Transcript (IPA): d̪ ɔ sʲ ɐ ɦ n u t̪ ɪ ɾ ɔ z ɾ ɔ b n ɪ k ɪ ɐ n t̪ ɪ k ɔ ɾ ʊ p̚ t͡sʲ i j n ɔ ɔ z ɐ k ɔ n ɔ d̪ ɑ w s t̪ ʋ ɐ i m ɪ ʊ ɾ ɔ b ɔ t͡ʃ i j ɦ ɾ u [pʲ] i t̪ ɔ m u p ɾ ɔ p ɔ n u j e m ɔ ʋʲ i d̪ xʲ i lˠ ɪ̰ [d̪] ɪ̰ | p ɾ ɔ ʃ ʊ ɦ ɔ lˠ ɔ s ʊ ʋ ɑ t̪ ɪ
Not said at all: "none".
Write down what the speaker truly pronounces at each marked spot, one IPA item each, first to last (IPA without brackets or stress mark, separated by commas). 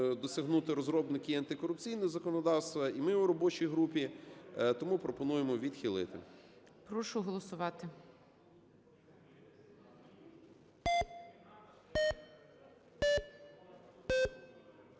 pʲ, t̪